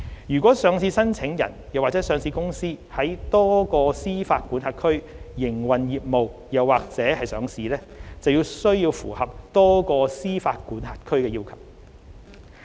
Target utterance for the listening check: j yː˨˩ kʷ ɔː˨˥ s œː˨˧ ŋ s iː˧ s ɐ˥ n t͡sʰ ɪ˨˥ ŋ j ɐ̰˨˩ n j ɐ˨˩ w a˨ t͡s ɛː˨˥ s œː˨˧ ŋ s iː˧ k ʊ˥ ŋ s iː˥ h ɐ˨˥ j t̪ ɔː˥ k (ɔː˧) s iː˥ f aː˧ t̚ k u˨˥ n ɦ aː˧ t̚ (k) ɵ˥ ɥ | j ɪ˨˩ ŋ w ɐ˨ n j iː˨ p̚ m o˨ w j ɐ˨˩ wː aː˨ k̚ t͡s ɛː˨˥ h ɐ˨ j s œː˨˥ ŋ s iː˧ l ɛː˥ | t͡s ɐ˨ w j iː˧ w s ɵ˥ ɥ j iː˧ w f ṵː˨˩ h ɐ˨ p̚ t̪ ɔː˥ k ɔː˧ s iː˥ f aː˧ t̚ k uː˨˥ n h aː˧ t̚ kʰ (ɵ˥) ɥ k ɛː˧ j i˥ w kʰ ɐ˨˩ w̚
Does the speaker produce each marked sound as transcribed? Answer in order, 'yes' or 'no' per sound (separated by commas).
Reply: yes, no, yes